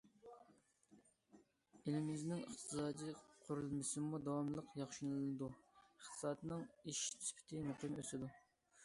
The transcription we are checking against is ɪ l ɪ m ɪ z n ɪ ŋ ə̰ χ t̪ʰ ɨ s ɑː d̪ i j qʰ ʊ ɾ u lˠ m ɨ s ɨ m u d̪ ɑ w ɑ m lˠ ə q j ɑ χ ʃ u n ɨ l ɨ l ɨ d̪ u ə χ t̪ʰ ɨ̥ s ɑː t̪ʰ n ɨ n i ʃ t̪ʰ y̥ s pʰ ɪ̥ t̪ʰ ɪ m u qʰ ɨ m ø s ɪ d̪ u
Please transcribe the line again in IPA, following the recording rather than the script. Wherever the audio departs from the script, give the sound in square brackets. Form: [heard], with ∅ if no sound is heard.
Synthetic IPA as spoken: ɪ l ɪ m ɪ z n ɪ ŋ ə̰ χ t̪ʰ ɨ s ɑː d̪ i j qʰ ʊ ɾ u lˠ m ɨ s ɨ m u d̪ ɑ w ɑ m lˠ ə q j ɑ χ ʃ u n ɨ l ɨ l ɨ d̪ u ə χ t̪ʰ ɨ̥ s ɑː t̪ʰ n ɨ [ŋ] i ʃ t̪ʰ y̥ s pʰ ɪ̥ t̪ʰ ɪ m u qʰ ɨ m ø s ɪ d̪ u